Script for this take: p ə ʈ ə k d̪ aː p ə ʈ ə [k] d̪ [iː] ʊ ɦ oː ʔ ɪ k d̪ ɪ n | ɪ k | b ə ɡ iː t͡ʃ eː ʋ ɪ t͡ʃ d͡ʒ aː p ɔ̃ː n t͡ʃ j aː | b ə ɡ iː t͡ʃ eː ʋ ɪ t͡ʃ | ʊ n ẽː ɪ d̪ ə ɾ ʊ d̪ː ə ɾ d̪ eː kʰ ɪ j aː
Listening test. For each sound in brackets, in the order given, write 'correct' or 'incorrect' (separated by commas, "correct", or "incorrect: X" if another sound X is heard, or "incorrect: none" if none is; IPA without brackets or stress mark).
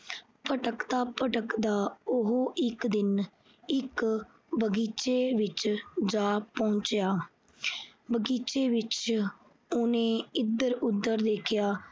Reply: correct, incorrect: aː